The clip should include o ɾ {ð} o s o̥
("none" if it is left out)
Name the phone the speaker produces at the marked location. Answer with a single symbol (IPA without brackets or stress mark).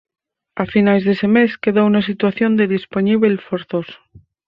θ